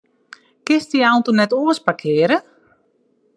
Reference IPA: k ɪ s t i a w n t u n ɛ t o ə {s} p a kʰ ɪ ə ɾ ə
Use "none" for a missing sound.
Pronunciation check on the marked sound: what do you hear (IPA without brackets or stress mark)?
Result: s